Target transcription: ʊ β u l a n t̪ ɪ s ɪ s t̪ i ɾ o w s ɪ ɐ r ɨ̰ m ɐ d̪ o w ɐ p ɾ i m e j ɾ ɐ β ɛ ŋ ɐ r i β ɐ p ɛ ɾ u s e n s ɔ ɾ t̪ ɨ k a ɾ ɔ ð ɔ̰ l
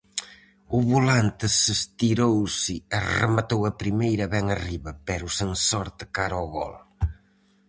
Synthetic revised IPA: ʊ β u l a n t̪ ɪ s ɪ s t̪ i ɾ o w s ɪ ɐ r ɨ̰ m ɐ t̪ o w ɐ p ɾ i m e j ɾ ɐ β ɛ ŋ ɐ r i β ɐ p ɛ ɾ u s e n s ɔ ɾ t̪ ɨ k a ɾ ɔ ɣ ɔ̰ l